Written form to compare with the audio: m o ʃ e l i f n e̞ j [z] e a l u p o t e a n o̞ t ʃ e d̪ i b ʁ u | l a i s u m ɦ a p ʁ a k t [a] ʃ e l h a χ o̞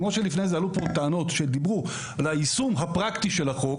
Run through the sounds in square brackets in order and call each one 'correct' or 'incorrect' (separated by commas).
correct, incorrect